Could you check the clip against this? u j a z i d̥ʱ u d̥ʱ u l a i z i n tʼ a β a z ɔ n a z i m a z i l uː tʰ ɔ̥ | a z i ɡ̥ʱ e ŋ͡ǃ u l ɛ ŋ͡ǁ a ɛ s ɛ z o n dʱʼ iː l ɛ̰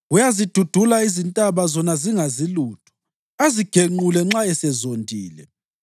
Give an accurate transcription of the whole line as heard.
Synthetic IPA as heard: u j a z i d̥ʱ u d̥ʱ u l a i z i n tʼ a β a z ɔ n a z i ŋ a z i l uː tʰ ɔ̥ | a z i ɡ̥ʱ e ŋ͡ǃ u l ɛ ŋ͡ǁ a ɛ s ɛ z o n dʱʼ iː l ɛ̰